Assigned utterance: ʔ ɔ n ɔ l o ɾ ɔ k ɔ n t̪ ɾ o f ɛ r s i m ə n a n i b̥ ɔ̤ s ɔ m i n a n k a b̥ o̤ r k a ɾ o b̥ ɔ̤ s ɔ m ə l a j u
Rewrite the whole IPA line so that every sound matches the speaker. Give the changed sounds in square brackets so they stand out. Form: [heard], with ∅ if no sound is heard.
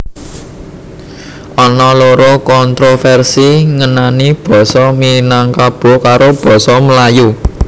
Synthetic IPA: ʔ ɔ n ɔ l o ɾ ɔ k ɔ n t̪ ɾ o f ɛ r s i [ŋ] ə n a n i b̥ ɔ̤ s ɔ m i n a [ŋ] k a b̥ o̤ [∅] k a ɾ o b̥ ɔ̤ s ɔ m ə l a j u